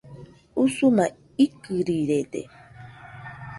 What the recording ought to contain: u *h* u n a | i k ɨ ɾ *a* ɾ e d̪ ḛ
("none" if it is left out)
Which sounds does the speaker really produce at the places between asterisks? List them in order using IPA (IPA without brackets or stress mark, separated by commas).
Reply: s, i